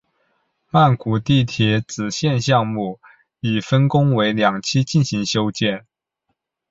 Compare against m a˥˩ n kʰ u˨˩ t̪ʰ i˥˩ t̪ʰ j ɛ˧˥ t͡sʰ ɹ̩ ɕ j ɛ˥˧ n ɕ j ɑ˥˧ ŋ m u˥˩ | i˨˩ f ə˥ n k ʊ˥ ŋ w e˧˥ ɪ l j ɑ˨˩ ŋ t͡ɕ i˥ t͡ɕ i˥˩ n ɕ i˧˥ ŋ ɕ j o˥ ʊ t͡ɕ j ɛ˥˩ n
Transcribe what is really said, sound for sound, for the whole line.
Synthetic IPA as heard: m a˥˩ n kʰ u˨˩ t̪ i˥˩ t̪ʰ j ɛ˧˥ t͡s ɹ̩ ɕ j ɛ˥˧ n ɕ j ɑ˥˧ ŋ m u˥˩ | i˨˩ f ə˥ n k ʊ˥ ŋ w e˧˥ ɪ l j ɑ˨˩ ŋ t͡ɕʰ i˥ t͡ɕ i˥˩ n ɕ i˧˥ ŋ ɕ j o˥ ʊ t͡ɕ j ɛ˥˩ n

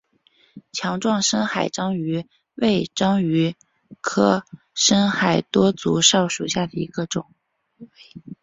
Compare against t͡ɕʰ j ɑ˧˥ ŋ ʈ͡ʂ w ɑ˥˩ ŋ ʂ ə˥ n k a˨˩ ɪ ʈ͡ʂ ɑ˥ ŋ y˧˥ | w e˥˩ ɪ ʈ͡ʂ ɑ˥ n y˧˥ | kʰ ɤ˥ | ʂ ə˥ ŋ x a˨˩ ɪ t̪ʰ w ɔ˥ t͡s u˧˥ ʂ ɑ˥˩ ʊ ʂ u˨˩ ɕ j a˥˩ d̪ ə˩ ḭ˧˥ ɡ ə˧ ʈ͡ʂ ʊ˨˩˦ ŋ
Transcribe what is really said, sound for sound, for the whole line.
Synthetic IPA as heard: t͡ɕʰ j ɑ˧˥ ŋ ʈ͡ʂ w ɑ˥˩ ŋ ʂ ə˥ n x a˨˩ ɪ ʈ͡ʂ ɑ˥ ŋ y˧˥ | w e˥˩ ɪ ʈ͡ʂ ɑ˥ ŋ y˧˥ | kʰ ɤ˥ | ʂ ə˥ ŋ x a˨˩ ɪ t̪ w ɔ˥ t͡s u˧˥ ʂ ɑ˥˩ ʊ ʂ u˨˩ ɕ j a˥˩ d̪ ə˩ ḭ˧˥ ɡ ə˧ ʈ͡ʂ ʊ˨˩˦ ŋ

